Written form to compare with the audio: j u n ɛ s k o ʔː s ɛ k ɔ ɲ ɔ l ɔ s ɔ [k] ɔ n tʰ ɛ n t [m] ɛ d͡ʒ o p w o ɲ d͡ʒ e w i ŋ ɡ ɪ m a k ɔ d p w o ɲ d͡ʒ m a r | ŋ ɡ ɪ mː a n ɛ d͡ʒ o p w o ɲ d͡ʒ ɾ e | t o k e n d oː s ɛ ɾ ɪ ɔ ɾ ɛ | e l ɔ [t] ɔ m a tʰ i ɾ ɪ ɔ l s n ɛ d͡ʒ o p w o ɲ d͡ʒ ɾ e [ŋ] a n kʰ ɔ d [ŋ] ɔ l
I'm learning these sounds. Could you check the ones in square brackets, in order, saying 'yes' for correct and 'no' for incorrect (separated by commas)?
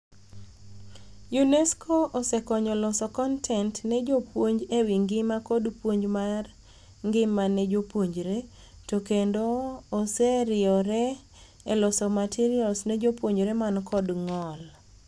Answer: yes, no, no, no, yes